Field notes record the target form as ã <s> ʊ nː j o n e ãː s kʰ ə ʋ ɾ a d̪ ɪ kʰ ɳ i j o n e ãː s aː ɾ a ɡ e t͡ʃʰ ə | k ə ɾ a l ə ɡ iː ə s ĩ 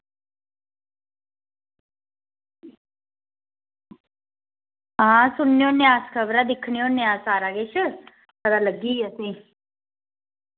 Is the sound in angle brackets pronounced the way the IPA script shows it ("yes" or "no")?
yes